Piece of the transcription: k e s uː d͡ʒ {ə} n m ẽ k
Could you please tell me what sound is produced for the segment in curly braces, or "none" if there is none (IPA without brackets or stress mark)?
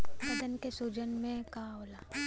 ə